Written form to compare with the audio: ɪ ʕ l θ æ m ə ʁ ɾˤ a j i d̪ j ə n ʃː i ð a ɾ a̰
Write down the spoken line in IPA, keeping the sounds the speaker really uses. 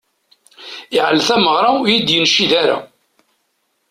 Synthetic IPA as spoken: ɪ ʕ l θ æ m ə ʁ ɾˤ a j i d̪ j ə n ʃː i ð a ɾ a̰